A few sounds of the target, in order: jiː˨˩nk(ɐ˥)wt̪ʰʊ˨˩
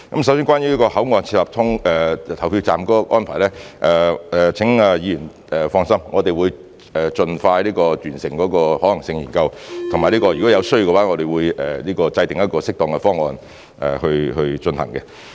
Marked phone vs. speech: incorrect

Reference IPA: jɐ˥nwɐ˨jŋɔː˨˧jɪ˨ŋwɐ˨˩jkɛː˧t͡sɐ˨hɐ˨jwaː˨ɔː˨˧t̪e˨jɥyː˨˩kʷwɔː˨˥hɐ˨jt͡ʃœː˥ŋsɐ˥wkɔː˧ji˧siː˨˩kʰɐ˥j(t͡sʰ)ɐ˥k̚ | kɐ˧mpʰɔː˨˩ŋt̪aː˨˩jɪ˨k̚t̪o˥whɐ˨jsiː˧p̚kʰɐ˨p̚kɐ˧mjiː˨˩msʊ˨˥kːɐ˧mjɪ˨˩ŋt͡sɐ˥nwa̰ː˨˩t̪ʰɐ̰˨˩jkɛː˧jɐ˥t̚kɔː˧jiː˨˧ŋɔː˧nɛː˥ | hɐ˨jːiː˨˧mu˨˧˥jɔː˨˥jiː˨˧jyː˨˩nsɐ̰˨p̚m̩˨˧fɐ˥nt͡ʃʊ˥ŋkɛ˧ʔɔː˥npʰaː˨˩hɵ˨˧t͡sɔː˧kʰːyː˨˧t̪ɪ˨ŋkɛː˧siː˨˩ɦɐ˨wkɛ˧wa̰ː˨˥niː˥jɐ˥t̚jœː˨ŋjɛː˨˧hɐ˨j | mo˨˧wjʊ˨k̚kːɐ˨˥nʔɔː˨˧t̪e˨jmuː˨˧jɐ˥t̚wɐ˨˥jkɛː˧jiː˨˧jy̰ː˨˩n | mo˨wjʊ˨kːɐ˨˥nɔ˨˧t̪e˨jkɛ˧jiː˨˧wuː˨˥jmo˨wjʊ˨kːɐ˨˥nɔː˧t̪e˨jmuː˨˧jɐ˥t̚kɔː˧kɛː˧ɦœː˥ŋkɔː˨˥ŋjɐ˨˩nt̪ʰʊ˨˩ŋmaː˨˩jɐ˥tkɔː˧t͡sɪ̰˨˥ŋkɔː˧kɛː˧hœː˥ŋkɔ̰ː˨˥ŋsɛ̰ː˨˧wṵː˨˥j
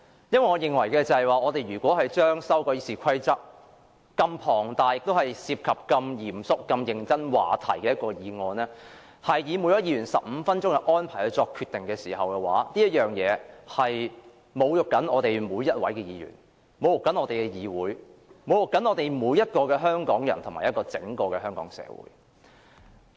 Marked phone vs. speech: incorrect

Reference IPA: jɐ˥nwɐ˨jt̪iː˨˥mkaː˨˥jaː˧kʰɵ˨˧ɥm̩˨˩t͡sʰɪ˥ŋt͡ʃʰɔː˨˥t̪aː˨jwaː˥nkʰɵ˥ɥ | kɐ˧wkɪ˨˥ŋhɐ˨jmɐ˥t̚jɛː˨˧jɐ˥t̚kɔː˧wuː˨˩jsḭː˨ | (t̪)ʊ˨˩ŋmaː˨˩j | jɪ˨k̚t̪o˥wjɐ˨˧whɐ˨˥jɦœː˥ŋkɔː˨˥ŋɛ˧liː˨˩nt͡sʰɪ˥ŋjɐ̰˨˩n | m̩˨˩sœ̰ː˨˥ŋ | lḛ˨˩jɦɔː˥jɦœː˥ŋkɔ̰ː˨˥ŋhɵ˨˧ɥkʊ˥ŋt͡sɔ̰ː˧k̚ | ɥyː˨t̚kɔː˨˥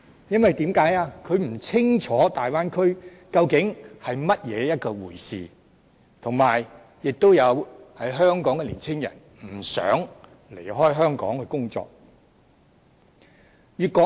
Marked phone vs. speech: incorrect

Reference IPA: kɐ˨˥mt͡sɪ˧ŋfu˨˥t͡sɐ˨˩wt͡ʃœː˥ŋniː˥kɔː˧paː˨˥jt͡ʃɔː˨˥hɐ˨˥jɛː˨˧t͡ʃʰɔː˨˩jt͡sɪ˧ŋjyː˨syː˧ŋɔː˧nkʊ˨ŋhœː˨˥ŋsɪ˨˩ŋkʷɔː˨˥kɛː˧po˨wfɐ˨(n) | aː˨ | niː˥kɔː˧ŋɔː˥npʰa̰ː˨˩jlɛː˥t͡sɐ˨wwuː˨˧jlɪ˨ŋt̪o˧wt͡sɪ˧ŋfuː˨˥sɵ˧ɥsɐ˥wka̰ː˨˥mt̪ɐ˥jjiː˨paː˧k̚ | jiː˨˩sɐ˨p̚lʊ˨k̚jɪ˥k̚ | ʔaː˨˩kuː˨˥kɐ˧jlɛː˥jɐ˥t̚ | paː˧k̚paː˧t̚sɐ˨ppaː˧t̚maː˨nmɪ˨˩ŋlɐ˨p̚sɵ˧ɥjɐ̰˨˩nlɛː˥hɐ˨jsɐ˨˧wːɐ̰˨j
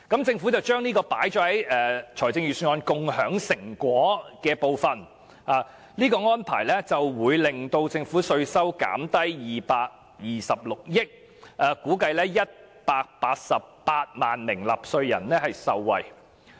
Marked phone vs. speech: correct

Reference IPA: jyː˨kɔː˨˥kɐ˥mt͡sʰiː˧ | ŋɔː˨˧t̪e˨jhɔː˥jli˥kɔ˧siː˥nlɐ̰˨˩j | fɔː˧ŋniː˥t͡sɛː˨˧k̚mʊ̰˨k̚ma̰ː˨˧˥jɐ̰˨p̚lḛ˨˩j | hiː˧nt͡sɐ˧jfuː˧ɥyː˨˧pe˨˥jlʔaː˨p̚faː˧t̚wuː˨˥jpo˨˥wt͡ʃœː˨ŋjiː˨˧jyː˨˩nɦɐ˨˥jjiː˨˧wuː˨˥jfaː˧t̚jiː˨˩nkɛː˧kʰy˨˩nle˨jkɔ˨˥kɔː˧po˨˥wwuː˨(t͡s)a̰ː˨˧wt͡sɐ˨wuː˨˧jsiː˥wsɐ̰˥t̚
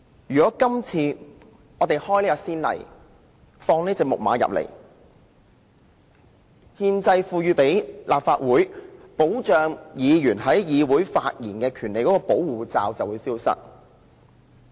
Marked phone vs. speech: correct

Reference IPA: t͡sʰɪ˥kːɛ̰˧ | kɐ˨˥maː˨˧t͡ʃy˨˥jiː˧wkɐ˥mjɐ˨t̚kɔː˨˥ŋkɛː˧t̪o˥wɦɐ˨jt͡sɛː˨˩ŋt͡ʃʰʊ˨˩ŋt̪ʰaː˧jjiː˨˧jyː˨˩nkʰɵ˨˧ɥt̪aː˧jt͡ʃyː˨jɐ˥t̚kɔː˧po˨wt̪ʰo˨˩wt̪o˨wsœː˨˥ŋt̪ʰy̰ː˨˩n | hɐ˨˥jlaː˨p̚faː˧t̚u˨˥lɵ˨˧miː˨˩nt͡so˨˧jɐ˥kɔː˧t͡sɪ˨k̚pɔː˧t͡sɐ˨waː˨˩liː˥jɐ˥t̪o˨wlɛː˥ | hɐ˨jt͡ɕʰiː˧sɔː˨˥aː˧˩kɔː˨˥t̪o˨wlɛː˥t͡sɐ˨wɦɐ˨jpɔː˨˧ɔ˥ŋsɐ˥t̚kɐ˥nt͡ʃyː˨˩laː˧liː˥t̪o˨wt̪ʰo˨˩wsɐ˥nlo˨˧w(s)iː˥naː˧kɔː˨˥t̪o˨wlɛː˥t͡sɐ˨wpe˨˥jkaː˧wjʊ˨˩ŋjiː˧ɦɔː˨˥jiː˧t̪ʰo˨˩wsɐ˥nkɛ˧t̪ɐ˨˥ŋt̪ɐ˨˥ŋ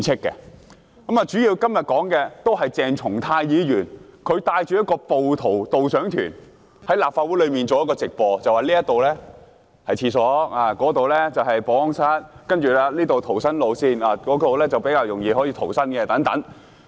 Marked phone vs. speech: correct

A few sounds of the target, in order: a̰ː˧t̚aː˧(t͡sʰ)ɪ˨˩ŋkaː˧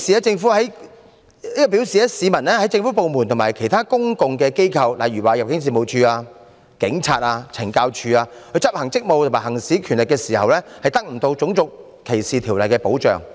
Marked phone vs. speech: correct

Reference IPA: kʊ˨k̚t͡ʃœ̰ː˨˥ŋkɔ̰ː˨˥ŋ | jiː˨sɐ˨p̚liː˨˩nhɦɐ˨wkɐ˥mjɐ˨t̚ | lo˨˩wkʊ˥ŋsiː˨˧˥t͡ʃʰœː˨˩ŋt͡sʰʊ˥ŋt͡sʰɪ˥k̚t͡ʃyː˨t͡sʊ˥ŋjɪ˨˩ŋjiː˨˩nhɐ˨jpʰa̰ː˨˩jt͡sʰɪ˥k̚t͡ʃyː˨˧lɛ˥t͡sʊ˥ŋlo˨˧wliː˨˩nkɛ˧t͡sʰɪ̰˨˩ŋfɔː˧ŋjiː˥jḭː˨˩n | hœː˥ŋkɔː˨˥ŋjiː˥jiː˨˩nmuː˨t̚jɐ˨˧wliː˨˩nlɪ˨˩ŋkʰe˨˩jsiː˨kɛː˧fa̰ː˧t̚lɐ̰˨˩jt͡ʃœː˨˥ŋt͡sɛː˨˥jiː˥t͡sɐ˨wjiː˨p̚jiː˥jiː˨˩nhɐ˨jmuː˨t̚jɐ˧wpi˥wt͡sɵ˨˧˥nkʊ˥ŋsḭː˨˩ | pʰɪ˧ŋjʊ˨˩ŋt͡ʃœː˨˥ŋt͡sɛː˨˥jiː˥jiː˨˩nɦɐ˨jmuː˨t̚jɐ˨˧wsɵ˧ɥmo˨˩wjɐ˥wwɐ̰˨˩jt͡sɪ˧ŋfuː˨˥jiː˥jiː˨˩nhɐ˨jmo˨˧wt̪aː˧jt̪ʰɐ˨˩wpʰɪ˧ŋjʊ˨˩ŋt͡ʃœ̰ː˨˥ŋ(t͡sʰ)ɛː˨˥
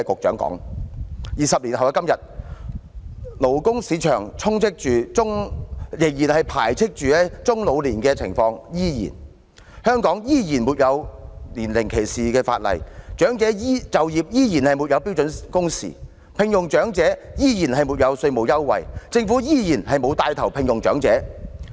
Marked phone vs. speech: incorrect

